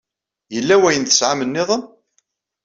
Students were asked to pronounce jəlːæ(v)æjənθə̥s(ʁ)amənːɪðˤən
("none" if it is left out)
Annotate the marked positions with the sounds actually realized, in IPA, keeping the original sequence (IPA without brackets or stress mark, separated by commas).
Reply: w, ʕ